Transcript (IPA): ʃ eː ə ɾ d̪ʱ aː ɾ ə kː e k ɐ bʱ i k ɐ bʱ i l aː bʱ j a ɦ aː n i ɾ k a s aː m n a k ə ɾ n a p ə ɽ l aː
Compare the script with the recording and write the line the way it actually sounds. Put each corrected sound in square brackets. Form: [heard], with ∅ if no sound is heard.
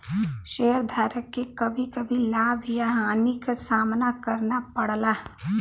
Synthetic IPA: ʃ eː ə ɾ d̪ʱ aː ɾ ə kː e k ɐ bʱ i k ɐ bʱ i l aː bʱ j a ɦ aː n i [∅] k a s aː m n a k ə ɾ n a p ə ɽ l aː